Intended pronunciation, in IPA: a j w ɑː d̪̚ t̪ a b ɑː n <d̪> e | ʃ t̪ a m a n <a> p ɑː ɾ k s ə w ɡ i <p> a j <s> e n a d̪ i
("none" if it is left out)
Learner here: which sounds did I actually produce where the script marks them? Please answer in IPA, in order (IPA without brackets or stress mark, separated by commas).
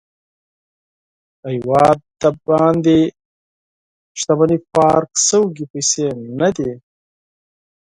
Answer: d̪, i, p, s